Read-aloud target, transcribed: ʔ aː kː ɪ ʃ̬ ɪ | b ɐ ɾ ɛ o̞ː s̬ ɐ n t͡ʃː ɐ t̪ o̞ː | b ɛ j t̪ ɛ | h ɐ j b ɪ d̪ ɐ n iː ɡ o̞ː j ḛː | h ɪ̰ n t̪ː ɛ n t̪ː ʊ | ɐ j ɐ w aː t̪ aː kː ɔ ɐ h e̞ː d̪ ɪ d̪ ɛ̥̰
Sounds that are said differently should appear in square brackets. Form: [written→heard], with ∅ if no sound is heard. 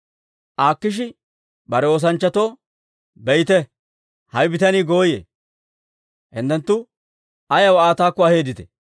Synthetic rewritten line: ʔ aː kː ɪ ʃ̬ ɪ | b ɐ ɾ ɛ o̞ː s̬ ɐ n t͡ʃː ɐ t̪ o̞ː | b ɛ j t̪ ɛ | h ɐ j b ɪ [d̪→t̪] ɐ n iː ɡ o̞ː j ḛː | h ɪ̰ n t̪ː ɛ n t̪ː ʊ | ɐ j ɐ w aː t̪ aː kː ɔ ɐ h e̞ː d̪ ɪ [d̪→t̪] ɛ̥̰

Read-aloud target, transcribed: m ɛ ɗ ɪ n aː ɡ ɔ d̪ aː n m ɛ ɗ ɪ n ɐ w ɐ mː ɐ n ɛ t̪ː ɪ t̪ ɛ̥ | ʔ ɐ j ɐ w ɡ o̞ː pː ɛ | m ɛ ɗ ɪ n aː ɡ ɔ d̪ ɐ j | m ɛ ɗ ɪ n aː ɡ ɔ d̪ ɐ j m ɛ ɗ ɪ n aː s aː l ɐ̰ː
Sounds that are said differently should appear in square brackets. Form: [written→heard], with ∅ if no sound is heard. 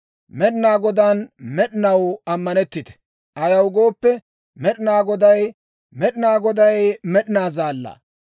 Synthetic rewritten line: m ɛ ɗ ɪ n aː ɡ ɔ d̪ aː n m ɛ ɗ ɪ n ɐ w ɐ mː ɐ n ɛ t̪ː ɪ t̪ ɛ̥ | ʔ ɐ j ɐ w ɡ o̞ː pː ɛ | m ɛ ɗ ɪ n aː ɡ ɔ d̪ ɐ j | m ɛ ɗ ɪ n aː ɡ ɔ d̪ ɐ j m ɛ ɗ ɪ n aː [s→z] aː [l→lː] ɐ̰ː

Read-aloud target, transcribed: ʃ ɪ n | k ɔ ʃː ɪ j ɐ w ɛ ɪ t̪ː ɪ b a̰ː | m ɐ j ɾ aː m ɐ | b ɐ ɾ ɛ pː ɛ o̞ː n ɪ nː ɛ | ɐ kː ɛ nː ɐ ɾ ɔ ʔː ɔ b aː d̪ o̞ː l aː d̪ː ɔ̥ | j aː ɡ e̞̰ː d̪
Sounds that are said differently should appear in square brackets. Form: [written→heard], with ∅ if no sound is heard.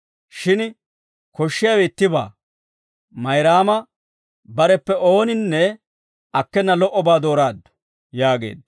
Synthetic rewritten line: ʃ ɪ n | k ɔ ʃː ɪ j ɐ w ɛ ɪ t̪ː ɪ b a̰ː | m ɐ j ɾ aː m ɐ | b ɐ ɾ ɛ pː ɛ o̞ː n ɪ nː ɛ | ɐ kː ɛ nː ɐ [ɾ→l] ɔ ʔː ɔ b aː d̪ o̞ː [l→ɾ] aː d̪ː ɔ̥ | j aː ɡ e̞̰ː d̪

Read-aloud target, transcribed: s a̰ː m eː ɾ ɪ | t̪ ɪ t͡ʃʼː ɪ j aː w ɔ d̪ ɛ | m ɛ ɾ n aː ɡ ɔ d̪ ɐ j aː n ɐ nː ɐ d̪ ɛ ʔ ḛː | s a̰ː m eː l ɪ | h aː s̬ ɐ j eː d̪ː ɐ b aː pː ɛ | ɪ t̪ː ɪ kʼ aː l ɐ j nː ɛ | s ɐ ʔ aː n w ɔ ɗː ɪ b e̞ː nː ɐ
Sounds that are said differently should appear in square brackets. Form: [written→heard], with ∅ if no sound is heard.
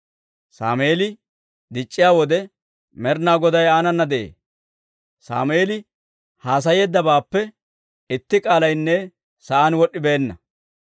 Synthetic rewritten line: s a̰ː m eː [ɾ→l] ɪ | [t̪→d̪] ɪ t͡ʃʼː ɪ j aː w ɔ d̪ ɛ | m ɛ ɾ n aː ɡ ɔ d̪ ɐ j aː n ɐ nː ɐ d̪ ɛ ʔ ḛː | s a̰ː m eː l ɪ | h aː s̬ ɐ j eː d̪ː ɐ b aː pː ɛ | ɪ t̪ː ɪ kʼ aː l ɐ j nː ɛ | s ɐ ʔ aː n w ɔ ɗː ɪ b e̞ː nː ɐ

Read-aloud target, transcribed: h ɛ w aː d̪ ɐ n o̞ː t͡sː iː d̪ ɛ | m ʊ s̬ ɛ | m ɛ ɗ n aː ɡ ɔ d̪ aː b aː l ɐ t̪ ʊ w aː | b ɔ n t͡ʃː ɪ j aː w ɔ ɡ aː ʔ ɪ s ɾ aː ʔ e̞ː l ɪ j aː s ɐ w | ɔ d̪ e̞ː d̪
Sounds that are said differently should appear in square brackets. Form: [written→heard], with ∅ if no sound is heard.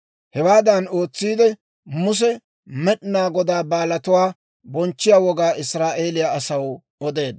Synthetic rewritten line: h ɛ w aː d̪ ɐ n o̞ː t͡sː iː d̪ ɛ | m ʊ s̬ ɛ | m ɛ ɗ n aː ɡ ɔ d̪ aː b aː l ɐ t̪ ʊ w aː | b ɔ n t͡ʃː ɪ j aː w ɔ ɡ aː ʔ ɪ s ɾ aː ʔ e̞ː l ɪ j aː s ɐ w | ɔ d̪ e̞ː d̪

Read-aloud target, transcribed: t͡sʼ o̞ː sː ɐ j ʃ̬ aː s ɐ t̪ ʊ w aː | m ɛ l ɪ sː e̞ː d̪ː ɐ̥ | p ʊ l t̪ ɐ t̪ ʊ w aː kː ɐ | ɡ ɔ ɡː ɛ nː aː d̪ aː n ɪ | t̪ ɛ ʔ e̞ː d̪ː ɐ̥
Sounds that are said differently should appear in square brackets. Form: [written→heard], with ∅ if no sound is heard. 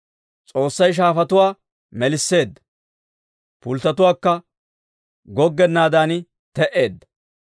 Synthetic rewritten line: t͡sʼ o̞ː sː ɐ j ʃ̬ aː [s→f] ɐ t̪ ʊ w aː | m ɛ l ɪ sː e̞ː d̪ː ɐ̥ | p ʊ l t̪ ɐ t̪ ʊ w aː kː ɐ | ɡ ɔ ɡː ɛ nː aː d̪ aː n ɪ | t̪ ɛ ʔ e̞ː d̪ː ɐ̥

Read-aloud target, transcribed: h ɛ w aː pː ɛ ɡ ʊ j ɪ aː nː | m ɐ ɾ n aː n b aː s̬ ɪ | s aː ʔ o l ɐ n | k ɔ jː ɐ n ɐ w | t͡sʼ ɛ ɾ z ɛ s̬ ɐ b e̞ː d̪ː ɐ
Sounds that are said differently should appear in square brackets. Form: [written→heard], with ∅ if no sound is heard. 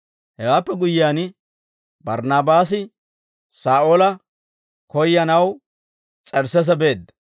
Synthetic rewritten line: h ɛ w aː pː ɛ ɡ ʊ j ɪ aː [nː→n] | [m→b] ɐ ɾ n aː [n→∅] b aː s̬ ɪ | s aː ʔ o l ɐ [n→∅] | k ɔ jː ɐ n ɐ w | t͡sʼ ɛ ɾ [z→s] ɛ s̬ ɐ b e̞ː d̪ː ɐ

